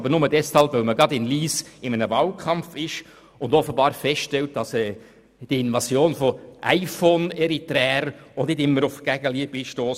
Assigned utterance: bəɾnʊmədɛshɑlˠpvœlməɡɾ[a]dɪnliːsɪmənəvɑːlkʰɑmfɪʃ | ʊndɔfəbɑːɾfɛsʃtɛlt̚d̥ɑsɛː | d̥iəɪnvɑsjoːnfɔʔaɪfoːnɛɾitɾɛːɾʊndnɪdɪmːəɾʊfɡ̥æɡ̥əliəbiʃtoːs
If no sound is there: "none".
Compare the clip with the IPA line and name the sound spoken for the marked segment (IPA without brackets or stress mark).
ɑ